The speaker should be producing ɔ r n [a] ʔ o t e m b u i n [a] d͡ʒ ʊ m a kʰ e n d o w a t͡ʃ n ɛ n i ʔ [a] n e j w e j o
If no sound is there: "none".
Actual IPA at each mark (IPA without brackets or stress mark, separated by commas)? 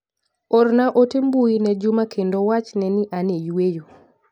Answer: a, ɛ, a